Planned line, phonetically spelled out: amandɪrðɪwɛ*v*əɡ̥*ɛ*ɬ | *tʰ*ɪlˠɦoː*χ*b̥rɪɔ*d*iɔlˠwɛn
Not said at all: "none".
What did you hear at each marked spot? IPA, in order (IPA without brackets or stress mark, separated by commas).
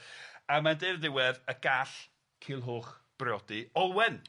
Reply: ð, a, kʰ, χ, d